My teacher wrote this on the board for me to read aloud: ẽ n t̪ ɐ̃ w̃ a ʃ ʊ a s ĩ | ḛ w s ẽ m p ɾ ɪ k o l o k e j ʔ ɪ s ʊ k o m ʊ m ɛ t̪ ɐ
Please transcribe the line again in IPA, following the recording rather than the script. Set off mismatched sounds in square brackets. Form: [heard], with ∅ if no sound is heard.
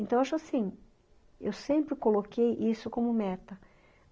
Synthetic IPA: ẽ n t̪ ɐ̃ w̃ a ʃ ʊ a s ĩ | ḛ w s ẽ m p ɾ ɪ k o l o k e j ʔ [i] s ʊ k [õ] m ʊ m ɛ t̪ ɐ

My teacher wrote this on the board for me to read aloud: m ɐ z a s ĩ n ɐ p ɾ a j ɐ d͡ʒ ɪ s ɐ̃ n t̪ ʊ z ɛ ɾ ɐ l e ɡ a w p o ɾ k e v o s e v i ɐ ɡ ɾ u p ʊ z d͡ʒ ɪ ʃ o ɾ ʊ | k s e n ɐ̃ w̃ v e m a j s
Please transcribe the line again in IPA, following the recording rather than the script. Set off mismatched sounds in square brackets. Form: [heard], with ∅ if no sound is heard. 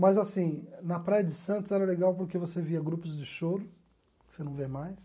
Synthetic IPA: m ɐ z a s ĩ n ɐ p ɾ a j ɐ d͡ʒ ɪ s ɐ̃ n t̪ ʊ z ɛ ɾ ɐ l e ɡ a w p o ɾ k e v o s e v i ɐ ɡ ɾ u p ʊ z d͡ʒ ɪ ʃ o ɾ ʊ | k s e n ɐ̃ w̃ v e m a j s

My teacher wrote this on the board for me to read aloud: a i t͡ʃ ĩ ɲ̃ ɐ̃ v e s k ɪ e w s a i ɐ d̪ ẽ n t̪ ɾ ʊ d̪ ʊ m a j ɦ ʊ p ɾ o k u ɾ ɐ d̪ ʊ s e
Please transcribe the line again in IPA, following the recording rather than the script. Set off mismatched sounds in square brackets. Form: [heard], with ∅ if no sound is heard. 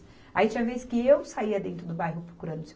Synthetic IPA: a i t͡ʃ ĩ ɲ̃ [ɐ] v e s k ɪ e w s a i ɐ d̪ ẽ n t̪ ɾ ʊ d̪ ʊ [b] a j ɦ ʊ p ɾ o k u ɾ [ɐ̃] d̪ ʊ s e

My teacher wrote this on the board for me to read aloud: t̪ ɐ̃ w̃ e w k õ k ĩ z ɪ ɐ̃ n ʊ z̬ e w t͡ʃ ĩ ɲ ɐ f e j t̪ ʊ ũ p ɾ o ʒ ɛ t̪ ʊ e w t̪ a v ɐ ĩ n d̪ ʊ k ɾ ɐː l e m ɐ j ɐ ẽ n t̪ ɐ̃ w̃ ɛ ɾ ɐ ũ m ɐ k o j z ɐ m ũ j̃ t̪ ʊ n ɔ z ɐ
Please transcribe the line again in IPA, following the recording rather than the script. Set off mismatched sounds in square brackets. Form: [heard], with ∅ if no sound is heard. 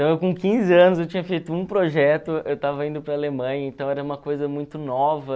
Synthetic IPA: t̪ ɐ̃ w̃ e w k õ k ĩ z ɪ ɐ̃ n ʊ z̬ e w t͡ʃ ĩ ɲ ɐ f e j t̪ ʊ ũ p ɾ o ʒ ɛ t̪ ʊ e w t̪ a v ɐ ĩ n d̪ ʊ [p] ɾ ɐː l e m [ɐ̃] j ɐ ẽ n t̪ ɐ̃ w̃ ɛ ɾ ɐ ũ m ɐ k o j z ɐ m ũ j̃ t̪ ʊ n ɔ [v] ɐ

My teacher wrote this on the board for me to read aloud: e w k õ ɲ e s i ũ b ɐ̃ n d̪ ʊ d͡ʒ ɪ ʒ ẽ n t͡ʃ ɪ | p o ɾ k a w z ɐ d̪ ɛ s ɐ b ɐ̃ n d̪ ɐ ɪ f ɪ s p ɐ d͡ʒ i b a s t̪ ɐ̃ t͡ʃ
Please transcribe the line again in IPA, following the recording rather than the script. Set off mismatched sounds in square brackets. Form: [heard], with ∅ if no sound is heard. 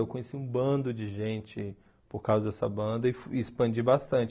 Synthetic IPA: e w k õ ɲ e s i ũ b ɐ̃ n d̪ ʊ d͡ʒ ɪ ʒ ẽ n t͡ʃ ɪ | p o ɾ k a w z ɐ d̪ ɛ s ɐ b ɐ̃ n d̪ ɐ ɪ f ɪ s p [ɐ̃] d͡ʒ i b a s t̪ ɐ̃ t͡ʃ

